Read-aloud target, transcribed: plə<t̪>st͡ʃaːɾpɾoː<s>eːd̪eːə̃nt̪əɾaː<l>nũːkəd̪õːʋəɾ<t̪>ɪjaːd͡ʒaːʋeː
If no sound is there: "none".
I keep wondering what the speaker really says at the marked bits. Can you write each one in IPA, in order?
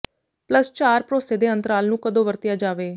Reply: none, s, l, t̪

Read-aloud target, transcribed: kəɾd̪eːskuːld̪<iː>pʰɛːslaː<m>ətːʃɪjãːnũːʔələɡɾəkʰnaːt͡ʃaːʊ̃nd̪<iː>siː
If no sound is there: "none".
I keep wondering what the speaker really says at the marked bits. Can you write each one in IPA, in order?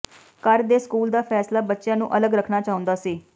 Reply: aː, b, aː

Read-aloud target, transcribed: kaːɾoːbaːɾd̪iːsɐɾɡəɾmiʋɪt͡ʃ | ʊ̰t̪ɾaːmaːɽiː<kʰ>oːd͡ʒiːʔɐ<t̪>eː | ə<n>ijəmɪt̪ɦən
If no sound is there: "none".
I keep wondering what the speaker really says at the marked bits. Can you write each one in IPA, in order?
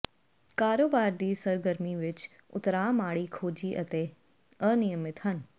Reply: kʰ, t̪, n

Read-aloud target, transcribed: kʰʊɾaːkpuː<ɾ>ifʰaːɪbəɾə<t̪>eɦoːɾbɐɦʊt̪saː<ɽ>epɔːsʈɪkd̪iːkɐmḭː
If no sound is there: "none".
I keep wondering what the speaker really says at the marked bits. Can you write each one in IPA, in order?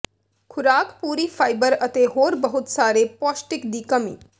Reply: ɾ, t̪, ɾ

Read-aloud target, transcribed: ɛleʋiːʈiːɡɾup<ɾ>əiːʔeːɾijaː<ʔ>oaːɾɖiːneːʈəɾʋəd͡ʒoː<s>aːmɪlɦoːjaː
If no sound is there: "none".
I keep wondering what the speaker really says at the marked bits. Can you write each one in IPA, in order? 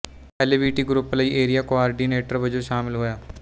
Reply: l, k, ʃ

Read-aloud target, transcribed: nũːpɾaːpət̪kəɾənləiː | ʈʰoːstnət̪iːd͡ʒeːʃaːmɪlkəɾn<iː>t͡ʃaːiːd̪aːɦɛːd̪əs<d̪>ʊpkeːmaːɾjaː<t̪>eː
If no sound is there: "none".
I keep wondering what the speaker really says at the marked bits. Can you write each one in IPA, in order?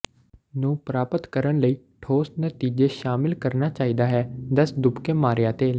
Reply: aː, d̪, t̪

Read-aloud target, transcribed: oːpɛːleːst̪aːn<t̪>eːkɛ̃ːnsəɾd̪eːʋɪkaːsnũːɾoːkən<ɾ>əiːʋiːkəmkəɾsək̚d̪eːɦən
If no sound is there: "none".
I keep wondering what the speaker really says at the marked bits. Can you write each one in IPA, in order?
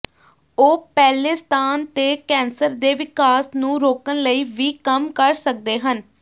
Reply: t̪, l

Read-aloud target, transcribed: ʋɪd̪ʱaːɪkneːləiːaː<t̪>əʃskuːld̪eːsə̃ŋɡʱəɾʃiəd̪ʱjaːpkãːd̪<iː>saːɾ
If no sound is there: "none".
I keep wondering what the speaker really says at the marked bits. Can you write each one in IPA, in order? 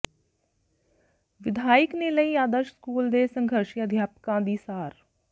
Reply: d̪, iː

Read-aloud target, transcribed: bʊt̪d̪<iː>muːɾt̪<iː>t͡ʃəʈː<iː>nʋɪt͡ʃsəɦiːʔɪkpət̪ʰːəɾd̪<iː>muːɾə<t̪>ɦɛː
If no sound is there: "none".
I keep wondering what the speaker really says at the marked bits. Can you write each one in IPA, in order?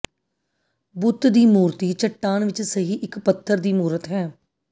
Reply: iː, iː, aː, iː, t̪

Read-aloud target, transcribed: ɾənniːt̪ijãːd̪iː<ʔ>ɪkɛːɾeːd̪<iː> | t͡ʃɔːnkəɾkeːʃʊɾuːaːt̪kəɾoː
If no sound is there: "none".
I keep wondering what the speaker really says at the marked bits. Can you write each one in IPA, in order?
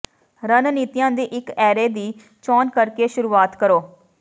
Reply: ʔ, iː

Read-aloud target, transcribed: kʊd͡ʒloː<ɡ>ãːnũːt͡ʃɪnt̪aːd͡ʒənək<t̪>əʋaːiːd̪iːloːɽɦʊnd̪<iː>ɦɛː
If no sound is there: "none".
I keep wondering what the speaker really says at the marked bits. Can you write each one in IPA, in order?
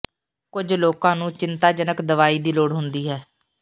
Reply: k, d̪, iː

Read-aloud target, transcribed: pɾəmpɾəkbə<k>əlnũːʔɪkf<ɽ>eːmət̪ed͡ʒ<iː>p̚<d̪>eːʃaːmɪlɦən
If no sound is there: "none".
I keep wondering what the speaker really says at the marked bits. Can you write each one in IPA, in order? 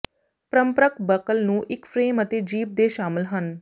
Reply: k, ɾ, iː, d̪

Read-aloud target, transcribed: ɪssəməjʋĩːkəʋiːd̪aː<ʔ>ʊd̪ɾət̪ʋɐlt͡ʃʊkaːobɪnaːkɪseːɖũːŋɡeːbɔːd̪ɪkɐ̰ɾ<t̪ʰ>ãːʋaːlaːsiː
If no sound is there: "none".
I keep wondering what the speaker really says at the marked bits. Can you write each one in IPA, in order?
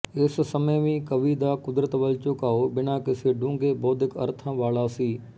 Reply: k, t̪ʰ

